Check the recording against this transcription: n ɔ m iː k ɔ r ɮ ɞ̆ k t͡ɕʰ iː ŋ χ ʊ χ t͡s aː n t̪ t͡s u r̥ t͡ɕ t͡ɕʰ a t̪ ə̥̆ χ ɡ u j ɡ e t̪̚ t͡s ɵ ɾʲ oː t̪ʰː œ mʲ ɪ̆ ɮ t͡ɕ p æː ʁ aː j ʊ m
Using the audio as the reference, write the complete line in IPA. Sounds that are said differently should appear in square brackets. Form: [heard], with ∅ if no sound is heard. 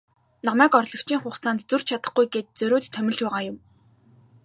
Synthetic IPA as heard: n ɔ m [æː] k ɔ r ɮ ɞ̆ k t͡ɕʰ iː ŋ χ ʊ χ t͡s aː n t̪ t͡s u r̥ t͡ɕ t͡ɕʰ a t̪ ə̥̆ χ ɡ u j ɡ e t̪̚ t͡s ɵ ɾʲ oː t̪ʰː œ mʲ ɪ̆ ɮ t͡ɕ p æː ʁ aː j ʊ m